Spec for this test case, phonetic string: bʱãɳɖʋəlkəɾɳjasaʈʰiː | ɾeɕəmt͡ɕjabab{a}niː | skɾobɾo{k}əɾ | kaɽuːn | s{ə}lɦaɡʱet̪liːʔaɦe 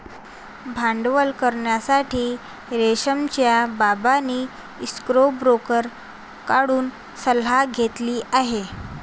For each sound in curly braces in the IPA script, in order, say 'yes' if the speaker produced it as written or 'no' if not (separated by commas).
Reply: yes, yes, yes